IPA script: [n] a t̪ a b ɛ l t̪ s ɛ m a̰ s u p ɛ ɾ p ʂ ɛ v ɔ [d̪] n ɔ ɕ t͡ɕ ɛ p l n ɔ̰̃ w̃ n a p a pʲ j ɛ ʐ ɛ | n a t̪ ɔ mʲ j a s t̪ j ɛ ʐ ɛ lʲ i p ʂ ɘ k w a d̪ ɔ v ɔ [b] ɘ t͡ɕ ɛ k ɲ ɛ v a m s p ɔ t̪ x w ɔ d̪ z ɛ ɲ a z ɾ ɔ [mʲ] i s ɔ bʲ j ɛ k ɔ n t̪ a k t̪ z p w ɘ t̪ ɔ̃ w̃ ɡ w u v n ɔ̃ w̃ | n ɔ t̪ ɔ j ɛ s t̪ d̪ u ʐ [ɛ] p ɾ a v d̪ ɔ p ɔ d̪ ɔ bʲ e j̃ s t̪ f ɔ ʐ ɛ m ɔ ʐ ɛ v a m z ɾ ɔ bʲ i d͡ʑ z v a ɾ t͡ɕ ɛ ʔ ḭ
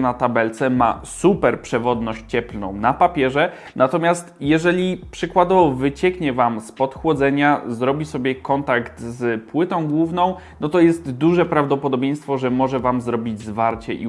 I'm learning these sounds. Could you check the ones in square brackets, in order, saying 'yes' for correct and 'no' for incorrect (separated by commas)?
yes, yes, no, no, yes